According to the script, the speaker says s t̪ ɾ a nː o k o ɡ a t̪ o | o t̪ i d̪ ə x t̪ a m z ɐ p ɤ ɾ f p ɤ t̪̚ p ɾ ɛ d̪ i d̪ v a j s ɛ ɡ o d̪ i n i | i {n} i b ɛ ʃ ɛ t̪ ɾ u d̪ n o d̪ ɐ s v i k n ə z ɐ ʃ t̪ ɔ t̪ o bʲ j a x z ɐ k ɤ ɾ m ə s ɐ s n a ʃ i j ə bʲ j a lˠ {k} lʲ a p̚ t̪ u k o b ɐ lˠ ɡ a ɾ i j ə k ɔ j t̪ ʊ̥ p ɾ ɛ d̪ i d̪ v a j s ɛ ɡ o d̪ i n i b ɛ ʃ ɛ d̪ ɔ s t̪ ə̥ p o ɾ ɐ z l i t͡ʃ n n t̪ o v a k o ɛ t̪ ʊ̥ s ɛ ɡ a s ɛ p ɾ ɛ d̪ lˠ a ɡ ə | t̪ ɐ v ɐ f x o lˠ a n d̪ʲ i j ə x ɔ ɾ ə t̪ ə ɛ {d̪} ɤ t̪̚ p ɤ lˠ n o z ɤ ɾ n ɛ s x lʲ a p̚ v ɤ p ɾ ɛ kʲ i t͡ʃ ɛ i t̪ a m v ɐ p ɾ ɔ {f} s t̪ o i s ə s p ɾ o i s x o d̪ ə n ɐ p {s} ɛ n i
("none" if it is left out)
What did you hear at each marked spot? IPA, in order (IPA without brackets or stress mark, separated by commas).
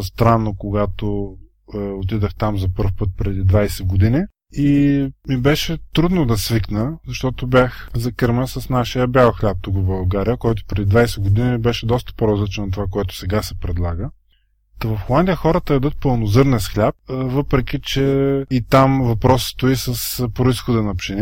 m, x, d̪, s, ʃ